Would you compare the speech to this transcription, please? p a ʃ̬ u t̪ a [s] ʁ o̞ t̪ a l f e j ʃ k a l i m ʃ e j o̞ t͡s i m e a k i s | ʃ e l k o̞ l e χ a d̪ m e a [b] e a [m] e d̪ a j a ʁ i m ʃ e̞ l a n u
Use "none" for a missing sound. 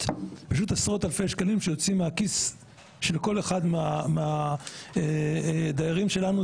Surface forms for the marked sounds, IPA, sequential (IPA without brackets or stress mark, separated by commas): s, m, none